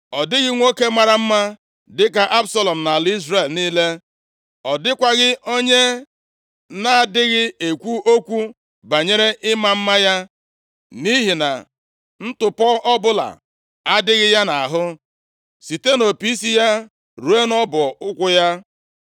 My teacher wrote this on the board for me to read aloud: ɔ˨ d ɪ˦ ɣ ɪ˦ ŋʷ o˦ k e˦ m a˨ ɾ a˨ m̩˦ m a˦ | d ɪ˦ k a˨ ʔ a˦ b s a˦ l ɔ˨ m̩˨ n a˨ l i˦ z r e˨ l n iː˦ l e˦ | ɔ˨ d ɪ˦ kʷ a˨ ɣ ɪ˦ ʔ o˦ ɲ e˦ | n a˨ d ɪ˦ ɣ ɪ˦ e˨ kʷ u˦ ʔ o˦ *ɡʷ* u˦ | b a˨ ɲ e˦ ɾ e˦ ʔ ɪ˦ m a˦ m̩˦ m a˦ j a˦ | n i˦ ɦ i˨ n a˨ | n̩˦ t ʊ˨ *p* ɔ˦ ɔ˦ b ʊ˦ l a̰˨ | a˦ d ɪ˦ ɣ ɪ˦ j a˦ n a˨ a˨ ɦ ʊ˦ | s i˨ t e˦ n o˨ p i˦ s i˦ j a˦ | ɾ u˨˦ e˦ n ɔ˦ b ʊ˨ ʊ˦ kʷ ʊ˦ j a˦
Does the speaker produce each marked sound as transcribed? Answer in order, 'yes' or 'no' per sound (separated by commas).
no, yes